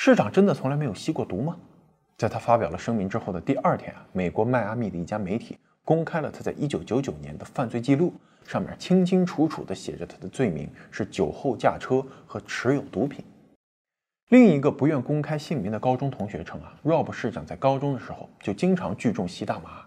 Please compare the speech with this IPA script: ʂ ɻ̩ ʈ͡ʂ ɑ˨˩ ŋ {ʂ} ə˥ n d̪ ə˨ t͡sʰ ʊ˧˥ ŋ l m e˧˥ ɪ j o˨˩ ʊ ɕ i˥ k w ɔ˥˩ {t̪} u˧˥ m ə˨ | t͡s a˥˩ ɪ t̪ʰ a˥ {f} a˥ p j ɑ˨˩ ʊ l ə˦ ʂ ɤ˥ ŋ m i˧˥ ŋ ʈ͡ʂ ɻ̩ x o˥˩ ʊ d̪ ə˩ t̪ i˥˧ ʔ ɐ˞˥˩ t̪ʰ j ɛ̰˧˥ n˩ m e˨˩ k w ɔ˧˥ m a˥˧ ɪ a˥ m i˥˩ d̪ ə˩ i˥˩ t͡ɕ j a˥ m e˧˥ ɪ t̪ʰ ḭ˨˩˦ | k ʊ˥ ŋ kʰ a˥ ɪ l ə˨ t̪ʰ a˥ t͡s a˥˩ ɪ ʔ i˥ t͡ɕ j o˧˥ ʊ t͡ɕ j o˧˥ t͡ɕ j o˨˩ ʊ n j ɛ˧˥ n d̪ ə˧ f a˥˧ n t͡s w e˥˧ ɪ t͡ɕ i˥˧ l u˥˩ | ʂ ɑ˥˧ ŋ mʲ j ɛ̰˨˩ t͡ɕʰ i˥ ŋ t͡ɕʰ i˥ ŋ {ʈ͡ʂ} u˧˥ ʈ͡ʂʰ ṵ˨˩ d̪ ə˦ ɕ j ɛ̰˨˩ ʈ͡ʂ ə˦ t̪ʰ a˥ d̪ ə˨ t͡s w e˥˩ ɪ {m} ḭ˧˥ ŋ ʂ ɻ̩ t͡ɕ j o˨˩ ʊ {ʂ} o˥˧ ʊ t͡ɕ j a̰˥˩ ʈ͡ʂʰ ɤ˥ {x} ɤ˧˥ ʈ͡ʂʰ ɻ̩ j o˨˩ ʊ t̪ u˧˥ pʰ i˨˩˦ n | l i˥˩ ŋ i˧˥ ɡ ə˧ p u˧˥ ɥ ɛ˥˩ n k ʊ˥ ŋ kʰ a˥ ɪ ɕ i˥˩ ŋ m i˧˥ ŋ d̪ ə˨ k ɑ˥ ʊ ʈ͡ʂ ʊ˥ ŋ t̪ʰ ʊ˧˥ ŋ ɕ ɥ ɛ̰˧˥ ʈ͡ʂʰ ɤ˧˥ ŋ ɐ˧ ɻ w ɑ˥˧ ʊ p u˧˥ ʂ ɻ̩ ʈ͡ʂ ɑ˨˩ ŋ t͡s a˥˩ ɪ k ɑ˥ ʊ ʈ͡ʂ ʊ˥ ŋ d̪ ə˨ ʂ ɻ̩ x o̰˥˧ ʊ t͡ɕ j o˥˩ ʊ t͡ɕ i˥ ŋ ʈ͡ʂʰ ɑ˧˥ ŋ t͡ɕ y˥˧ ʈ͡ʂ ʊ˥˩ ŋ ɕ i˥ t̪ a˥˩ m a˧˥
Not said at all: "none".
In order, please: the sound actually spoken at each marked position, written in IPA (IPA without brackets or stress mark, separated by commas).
ʈ͡ʂ, t̪, f, ʈ͡ʂʰ, m, x, x